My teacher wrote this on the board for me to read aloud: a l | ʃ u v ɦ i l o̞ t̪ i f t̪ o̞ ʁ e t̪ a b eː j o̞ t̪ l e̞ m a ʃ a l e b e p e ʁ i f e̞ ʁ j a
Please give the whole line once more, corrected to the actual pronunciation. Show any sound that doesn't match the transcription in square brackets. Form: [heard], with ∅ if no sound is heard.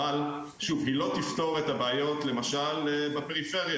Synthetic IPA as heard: a l | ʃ u v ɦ i l o̞ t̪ i f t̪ o̞ ʁ e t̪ a b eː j o̞ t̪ l e̞ m a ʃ a l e b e p e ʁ i f e̞ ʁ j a